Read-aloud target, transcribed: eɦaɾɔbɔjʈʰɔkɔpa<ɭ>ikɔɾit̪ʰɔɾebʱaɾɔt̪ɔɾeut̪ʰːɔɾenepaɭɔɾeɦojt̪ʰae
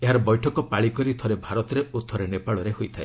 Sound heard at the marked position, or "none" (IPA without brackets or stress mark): ɭ